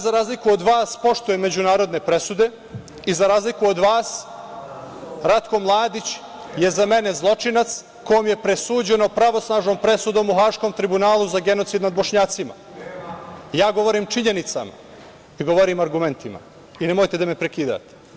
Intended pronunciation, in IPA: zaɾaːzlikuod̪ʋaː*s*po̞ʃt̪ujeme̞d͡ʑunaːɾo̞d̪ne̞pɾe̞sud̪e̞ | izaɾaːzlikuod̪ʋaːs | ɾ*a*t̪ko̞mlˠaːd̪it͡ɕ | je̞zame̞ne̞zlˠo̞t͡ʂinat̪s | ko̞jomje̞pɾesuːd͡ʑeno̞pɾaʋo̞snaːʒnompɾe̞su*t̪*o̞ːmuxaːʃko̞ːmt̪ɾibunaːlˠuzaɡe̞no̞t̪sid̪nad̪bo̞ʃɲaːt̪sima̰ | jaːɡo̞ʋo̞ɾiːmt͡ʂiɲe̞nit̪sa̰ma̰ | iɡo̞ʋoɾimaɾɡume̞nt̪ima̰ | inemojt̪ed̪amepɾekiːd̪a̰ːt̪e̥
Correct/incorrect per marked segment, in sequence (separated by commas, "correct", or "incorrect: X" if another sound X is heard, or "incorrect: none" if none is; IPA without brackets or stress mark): correct, correct, incorrect: d̪